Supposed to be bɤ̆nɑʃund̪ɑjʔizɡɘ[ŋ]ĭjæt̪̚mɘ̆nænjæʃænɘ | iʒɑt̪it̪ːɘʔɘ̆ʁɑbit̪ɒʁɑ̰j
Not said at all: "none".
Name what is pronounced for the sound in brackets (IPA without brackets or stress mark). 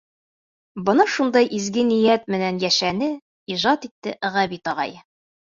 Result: n